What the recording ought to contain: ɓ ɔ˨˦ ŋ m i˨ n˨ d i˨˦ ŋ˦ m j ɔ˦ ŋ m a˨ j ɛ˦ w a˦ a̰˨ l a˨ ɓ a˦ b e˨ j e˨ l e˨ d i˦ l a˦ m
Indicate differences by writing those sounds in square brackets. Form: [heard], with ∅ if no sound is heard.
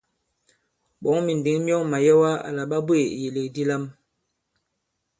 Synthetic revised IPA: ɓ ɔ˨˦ ŋ m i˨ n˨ d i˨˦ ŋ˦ m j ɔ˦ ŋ m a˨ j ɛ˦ w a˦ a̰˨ l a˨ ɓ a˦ b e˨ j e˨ l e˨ d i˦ l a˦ m